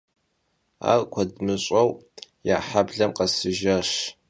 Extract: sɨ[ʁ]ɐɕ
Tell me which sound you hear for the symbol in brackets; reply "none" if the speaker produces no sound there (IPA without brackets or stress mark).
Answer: ʒ